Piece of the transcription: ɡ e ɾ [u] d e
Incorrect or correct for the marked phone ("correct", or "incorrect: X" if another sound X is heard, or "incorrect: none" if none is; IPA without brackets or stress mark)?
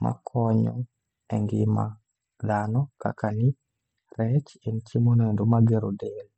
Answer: incorrect: o